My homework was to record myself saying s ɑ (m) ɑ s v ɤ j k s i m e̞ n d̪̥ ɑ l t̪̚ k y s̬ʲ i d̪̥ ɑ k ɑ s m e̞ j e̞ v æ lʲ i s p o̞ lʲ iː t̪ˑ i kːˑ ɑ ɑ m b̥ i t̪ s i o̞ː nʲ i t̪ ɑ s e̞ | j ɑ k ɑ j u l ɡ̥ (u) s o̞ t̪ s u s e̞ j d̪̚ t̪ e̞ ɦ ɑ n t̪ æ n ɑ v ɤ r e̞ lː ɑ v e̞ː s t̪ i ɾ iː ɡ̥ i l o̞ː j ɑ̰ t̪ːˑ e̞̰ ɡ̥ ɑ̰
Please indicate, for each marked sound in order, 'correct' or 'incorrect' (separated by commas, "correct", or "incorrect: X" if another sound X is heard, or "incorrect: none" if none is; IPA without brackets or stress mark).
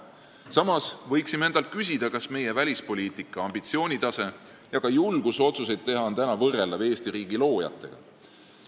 correct, correct